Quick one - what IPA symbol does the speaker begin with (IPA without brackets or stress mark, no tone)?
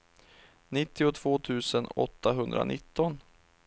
n